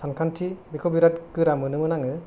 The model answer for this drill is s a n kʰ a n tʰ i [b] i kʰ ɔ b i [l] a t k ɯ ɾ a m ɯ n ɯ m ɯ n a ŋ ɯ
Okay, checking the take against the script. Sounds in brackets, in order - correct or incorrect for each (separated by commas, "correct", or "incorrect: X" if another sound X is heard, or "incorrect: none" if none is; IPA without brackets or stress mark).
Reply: correct, incorrect: ɾ